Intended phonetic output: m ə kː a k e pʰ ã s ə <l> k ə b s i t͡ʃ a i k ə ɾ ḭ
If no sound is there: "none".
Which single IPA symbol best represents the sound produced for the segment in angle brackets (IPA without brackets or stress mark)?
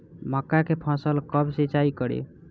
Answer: l